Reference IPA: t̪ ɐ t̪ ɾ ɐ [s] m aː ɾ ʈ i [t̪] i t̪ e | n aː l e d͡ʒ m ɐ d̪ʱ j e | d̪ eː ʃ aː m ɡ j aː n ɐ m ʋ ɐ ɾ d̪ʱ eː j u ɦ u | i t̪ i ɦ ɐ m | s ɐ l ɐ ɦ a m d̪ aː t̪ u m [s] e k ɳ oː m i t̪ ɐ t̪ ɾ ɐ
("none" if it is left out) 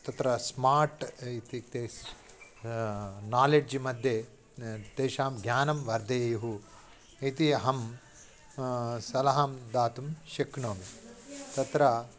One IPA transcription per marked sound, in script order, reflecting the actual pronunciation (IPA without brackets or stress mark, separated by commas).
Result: s, t̪, ʃ